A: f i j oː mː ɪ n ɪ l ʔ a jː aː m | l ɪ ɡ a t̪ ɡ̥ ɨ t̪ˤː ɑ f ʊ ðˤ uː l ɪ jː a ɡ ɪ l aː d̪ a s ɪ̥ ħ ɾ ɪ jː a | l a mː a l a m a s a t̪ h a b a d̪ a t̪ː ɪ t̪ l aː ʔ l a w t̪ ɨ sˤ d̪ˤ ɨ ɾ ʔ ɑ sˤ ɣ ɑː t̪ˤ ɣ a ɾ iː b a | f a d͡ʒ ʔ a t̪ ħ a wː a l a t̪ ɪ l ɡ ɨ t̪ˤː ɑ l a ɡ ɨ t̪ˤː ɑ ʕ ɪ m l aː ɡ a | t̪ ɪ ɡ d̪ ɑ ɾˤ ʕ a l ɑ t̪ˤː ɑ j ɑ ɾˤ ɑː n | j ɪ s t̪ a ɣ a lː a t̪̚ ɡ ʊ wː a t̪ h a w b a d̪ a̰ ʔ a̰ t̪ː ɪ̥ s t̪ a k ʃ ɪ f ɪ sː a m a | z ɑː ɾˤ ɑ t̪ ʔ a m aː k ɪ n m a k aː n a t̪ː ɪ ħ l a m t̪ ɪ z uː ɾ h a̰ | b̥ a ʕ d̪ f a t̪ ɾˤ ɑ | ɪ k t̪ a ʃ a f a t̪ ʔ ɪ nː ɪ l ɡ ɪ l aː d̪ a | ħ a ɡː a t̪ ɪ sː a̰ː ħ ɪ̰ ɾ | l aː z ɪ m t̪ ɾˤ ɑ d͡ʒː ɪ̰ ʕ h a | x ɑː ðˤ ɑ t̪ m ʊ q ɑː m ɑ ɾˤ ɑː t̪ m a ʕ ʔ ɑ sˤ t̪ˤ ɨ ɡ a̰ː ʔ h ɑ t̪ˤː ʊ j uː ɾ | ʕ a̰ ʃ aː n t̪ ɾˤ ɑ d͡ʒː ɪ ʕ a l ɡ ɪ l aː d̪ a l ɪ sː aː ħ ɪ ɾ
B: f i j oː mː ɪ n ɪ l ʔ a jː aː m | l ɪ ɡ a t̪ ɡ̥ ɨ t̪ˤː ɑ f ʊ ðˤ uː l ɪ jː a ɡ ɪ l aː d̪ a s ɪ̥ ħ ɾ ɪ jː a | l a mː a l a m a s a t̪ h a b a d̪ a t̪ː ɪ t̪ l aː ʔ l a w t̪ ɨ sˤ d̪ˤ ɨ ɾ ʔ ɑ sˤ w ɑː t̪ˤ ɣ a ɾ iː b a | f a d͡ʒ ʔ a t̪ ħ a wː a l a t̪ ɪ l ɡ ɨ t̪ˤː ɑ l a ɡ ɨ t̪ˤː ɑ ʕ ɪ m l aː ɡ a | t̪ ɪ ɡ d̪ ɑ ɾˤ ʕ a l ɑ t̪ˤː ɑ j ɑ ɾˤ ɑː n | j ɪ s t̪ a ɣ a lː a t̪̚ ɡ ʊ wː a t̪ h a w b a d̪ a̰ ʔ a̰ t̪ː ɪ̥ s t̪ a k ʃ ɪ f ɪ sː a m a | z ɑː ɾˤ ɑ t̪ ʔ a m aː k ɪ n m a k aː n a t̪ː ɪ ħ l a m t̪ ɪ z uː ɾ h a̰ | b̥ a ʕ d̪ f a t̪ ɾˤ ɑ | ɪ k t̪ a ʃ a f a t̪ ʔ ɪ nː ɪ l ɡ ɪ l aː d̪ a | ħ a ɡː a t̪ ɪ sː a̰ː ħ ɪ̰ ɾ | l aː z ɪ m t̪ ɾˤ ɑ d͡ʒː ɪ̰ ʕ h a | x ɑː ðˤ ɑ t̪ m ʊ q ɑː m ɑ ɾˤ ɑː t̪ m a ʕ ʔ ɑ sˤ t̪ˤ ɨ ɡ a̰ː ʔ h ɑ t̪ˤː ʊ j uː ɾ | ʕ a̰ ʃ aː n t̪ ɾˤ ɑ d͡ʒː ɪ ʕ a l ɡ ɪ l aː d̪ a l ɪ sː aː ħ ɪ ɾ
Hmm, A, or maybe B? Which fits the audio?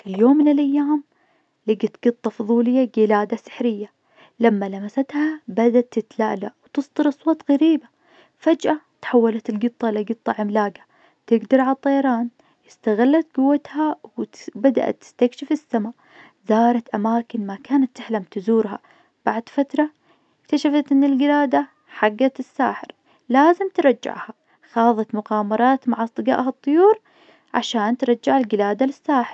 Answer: B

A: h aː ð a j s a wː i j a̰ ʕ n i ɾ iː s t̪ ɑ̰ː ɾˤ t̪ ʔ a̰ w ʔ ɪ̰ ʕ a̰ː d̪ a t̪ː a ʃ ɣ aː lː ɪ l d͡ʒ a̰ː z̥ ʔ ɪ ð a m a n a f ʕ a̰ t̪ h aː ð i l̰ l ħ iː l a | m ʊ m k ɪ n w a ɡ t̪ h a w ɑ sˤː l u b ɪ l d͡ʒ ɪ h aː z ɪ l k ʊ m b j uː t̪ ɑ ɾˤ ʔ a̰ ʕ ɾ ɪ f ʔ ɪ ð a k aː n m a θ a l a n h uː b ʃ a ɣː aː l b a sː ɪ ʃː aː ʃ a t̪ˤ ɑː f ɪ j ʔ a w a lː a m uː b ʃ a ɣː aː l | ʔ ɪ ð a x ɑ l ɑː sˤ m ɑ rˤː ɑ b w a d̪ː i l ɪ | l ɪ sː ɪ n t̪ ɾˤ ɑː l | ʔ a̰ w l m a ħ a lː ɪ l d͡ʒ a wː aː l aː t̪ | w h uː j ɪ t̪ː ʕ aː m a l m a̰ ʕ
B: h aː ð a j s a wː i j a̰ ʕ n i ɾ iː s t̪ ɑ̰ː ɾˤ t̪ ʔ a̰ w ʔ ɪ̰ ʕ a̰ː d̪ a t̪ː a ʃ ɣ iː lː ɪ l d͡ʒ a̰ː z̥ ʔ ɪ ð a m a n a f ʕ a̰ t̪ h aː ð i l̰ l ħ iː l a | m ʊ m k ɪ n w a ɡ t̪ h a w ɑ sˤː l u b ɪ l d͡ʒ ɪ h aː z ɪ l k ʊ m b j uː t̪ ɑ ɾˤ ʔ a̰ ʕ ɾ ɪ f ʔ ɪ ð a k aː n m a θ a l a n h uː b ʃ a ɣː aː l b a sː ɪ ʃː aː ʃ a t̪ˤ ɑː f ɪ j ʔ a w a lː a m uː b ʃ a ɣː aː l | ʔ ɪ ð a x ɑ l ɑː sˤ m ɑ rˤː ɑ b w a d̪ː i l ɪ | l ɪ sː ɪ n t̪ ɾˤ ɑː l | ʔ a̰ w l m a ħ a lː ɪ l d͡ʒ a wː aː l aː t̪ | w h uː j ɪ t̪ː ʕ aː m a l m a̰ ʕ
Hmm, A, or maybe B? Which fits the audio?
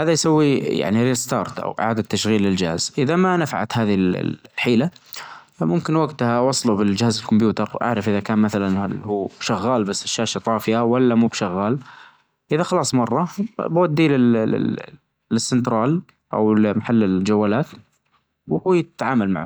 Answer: B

